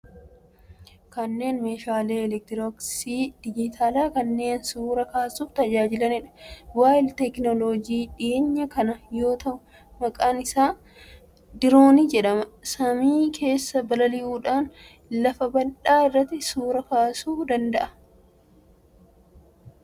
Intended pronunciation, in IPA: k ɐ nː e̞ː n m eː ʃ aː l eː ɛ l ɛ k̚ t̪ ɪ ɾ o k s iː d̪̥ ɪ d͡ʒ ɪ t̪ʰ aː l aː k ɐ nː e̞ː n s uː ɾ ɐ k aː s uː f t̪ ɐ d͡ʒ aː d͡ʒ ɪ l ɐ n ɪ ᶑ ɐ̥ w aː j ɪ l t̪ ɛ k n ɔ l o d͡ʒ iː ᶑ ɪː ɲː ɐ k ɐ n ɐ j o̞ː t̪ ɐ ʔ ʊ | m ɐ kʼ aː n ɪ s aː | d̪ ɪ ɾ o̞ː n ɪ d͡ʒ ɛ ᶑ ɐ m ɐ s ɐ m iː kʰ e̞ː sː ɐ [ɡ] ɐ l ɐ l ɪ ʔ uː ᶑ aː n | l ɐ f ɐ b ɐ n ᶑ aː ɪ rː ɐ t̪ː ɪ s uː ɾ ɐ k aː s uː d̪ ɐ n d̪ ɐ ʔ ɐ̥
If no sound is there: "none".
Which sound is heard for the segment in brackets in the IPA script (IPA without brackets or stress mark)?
b